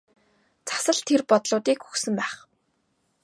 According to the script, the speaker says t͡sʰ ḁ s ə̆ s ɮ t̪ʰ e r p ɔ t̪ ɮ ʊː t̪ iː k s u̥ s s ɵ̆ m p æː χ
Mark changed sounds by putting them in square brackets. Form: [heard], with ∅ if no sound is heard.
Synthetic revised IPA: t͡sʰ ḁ s ə̆ [∅] ɮ t̪ʰ e r p ɔ t̪ ɮ ʊː t̪ iː k [x] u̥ [x] s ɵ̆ m p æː χ